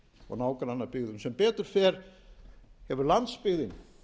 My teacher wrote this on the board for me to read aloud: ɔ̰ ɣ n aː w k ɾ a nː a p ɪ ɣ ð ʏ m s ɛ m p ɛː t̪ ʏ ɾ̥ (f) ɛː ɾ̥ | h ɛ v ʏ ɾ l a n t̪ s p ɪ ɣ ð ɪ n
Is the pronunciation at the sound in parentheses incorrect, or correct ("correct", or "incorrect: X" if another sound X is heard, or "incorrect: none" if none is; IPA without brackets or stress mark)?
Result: correct